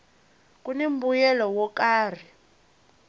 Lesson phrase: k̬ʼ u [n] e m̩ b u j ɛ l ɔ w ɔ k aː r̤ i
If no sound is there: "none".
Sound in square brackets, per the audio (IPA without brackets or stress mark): n